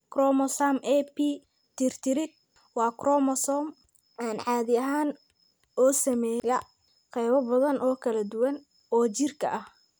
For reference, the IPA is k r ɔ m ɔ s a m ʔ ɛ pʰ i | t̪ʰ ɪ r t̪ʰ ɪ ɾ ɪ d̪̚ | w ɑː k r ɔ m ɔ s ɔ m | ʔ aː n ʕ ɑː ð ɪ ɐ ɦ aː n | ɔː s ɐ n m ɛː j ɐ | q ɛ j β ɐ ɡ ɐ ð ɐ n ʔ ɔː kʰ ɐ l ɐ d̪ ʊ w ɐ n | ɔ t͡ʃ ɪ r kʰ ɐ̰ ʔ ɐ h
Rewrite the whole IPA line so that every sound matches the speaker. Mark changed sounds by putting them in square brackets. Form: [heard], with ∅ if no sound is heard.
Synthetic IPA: k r ɔ m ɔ s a m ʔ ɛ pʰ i | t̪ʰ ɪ r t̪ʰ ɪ ɾ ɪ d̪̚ | w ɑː k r ɔ m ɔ s ɔ m | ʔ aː n ʕ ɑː ð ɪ ɐ ɦ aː n | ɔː s ɐ [∅] m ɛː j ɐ | q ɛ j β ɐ [b] ɐ ð ɐ n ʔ ɔː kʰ ɐ l ɐ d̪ ʊ w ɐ n | [ɔː] t͡ʃ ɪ r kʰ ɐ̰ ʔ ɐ h